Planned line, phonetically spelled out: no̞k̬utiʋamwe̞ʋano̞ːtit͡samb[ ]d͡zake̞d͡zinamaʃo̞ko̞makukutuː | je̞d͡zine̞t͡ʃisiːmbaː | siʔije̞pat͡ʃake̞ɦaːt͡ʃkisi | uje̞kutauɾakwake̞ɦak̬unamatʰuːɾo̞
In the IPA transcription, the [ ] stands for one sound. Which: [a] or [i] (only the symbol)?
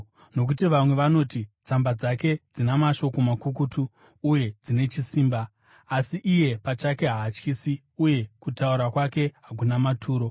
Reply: a